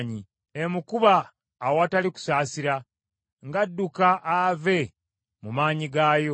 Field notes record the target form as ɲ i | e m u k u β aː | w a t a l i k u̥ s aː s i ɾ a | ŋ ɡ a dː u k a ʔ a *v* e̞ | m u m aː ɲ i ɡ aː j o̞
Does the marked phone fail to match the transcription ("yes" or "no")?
no